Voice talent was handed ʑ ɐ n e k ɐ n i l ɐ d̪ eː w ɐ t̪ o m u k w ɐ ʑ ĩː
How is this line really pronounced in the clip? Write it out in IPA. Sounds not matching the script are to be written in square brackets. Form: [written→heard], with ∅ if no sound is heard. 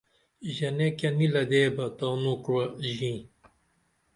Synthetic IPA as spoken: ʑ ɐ n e k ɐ n i l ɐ d̪ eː [w→b] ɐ t̪ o [m→n] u k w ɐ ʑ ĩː